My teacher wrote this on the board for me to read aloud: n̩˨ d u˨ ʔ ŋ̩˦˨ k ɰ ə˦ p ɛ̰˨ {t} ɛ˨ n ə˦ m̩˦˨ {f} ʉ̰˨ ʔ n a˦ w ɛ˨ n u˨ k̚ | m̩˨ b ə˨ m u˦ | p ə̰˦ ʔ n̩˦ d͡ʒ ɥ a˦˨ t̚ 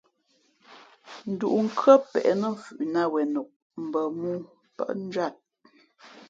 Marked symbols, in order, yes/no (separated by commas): no, yes